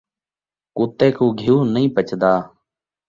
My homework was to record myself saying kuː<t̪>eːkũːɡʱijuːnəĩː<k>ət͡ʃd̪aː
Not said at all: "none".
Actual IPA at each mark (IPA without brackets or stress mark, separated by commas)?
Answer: t̪, p